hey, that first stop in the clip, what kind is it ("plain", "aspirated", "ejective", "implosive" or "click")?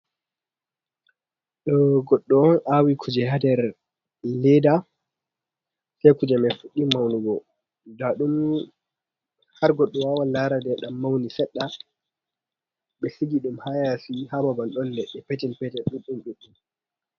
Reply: implosive